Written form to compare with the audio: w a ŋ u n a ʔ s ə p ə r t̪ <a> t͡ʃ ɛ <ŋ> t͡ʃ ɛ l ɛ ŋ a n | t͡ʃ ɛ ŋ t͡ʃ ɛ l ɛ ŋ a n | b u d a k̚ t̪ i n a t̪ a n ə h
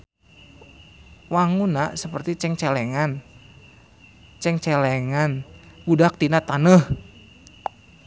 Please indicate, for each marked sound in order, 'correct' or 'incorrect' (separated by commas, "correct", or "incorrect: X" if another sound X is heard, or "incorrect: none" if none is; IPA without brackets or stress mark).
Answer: incorrect: i, correct